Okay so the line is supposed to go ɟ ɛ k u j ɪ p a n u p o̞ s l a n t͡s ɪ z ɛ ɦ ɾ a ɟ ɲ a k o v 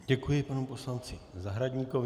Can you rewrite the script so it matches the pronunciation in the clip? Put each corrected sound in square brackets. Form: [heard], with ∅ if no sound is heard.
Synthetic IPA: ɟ ɛ k u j ɪ p a n u p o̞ s l a n t͡s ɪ z [a] ɦ ɾ a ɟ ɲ [i] k o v

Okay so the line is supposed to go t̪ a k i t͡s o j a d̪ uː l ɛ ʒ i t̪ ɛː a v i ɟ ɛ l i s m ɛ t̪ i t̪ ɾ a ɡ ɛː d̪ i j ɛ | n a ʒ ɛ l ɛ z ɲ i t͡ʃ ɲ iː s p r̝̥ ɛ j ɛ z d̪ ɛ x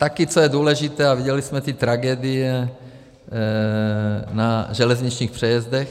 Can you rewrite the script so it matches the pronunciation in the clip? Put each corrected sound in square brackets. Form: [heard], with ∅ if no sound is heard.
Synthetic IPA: t̪ a k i t͡s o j [ɛ] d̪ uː l ɛ ʒ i t̪ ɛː a v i ɟ ɛ l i s m ɛ t̪ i t̪ ɾ a ɡ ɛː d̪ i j ɛ | n a ʒ ɛ l ɛ z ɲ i t͡ʃ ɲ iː [x] p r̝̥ ɛ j ɛ z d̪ ɛ x

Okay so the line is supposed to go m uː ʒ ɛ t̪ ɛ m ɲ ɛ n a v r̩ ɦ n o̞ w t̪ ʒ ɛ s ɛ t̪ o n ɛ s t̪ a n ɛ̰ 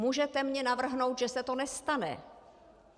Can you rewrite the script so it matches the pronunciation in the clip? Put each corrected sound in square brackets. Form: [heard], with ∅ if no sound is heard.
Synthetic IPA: m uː ʒ ɛ t̪ ɛ m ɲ ɛ n a v r̩ ɦ n o̞ w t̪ ʒ ɛ s ɛ t̪ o n ɛ s t̪ a n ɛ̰

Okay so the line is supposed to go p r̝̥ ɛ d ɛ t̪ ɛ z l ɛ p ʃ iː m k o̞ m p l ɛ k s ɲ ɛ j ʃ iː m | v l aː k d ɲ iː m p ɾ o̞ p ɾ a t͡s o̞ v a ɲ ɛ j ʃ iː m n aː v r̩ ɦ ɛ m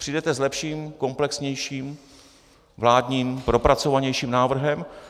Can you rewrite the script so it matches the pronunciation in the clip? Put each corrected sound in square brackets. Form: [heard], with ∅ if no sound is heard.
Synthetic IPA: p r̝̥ [i] d ɛ t̪ ɛ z l ɛ p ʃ iː m k o̞ m p l ɛ k s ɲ ɛ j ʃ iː m | v l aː [∅] d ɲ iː m p ɾ o̞ p ɾ a t͡s o̞ v a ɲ ɛ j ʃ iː m n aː v r̩ ɦ ɛ m

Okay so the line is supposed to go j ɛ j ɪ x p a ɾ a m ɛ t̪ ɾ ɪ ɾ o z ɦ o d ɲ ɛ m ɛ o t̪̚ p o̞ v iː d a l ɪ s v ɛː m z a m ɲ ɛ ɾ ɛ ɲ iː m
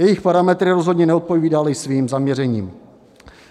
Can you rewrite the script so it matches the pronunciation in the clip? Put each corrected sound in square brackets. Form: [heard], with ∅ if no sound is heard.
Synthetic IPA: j ɛ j ɪ x p a ɾ a m ɛ t̪ ɾ ɪ ɾ o z ɦ o d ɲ ɛ [n] ɛ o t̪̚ p o̞ v iː d a l ɪ s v [iː] m z a m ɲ ɛ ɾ ɛ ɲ iː m

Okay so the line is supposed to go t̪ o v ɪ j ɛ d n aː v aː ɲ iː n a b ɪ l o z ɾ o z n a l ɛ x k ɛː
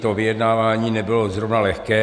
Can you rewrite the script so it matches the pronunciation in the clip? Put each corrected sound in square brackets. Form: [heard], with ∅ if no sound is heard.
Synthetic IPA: t̪ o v ɪ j ɛ d n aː v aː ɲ iː n [ɛ] b ɪ l o z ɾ o [v] n a l ɛ x k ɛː

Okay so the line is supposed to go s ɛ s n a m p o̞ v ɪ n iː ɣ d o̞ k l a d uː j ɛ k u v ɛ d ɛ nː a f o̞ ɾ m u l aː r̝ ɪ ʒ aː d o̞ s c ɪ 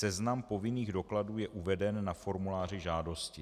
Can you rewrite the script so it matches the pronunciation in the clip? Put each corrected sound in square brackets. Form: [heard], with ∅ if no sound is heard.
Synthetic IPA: s ɛ [z] n a m p o̞ v ɪ n iː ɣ d o̞ k l a d uː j ɛ [ʔ] u v ɛ d ɛ nː a f o̞ ɾ m u l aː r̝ ɪ ʒ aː d o̞ s c ɪ

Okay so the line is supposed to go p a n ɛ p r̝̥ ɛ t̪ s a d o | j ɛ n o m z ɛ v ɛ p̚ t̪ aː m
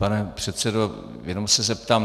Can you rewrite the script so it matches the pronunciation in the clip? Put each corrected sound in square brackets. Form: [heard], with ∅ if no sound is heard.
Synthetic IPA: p a n ɛ p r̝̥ ɛ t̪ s [ɛ] d o | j ɛ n o m [s] ɛ [z] ɛ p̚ t̪ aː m

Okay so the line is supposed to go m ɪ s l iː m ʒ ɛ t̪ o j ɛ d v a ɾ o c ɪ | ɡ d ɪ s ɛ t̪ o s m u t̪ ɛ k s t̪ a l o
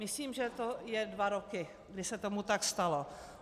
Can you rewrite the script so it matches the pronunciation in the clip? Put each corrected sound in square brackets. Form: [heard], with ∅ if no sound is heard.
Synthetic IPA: m ɪ s l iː m ʒ ɛ t̪ o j ɛ d v a ɾ o [k] ɪ | ɡ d ɪ s ɛ t̪ o [∅] m u t̪ [a] k s t̪ a l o

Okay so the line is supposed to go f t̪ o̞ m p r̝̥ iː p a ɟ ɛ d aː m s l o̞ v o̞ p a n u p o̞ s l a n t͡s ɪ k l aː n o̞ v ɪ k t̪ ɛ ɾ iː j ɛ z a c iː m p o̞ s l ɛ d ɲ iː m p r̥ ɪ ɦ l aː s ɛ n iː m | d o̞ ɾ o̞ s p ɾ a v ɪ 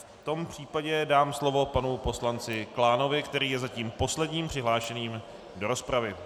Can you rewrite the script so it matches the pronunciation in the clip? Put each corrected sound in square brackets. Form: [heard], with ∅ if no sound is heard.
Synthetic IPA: f t̪ o̞ m p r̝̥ iː p a ɟ ɛ d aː m s l o̞ v o̞ p a n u p o̞ s l a n t͡s ɪ k l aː n o̞ v ɪ k t̪ ɛ ɾ iː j ɛ z a c iː m p o̞ s l ɛ d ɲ iː m p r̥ ɪ ɦ l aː [ʃ] ɛ n iː m | d o̞ ɾ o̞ s p ɾ a v ɪ

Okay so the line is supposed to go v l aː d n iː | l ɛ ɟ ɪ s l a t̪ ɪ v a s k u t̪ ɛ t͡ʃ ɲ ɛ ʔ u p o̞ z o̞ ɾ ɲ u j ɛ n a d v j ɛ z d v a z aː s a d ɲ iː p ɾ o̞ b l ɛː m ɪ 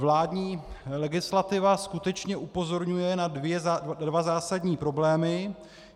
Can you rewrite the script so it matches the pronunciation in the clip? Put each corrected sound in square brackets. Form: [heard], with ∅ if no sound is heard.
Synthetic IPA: v l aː d [ɲ] iː | l ɛ [ɡ] ɪ s l a t̪ ɪ v a s k u t̪ ɛ t͡ʃ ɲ ɛ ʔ u p o̞ z o̞ ɾ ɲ u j ɛ n a d v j ɛ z d v a z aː s a d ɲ iː p ɾ o̞ b l ɛː m ɪ

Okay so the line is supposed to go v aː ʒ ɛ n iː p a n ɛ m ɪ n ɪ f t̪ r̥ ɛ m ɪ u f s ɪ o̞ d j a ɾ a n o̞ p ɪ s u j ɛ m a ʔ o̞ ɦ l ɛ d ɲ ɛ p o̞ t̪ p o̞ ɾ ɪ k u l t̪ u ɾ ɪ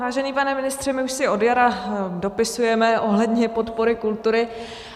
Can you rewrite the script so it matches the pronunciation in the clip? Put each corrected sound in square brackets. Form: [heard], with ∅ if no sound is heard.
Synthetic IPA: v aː ʒ ɛ n iː p a n ɛ m ɪ n ɪ [s] t̪ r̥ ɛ m ɪ u [ʃ] s ɪ o̞ d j a ɾ a [d] o̞ p ɪ s u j ɛ m [ɛ] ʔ o̞ ɦ l ɛ d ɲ ɛ p o̞ t̪ p o̞ ɾ ɪ k u l t̪ u ɾ ɪ

